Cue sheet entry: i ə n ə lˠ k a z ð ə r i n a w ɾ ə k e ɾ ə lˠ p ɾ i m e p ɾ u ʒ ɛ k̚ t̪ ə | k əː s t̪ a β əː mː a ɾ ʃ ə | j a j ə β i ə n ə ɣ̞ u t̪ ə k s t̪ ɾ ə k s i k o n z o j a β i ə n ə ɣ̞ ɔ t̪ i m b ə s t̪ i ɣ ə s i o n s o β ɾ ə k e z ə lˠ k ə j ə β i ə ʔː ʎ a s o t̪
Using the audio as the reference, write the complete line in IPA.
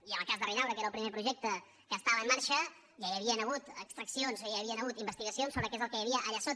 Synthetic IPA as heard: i ə n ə lˠ k a z ð ə r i n a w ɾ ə k e ɾ ə lˠ p ɾ i m e p ɾ u ʒ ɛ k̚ t̪ ə | k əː s t̪ a β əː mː a ɾ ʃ ə | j a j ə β i ə n ə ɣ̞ u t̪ ə k s t̪ ɾ ə k s i o n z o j a β i ə n ə ɣ̞ u t̪ i m b ə s t̪ i ɣ ə s i o n s o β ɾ ə k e z ə lˠ k ə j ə β i ə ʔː ʎ a s o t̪